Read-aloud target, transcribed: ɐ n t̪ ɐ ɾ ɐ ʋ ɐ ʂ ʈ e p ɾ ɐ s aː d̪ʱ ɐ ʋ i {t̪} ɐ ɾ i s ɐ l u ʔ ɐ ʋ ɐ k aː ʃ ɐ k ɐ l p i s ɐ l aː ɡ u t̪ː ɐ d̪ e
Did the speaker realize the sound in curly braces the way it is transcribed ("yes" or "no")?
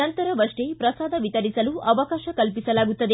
yes